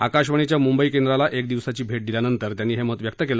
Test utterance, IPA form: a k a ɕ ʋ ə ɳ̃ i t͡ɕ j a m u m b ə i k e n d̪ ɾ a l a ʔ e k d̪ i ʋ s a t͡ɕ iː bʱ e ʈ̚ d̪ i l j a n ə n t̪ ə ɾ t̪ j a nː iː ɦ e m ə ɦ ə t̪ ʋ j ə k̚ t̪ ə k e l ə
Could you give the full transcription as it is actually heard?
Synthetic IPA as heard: a k a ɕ ʋ ə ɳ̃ i t͡ɕ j a m u m b ə i k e n d̪ ɾ a l a ʔ e k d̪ i ʋ s a t͡ɕ iː bʱ e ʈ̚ d̪ i l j a n ə n t̪ ə ɾ t̪ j a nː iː ɦ e m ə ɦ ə t̪ ʋ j ə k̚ t̪ ə k e l ə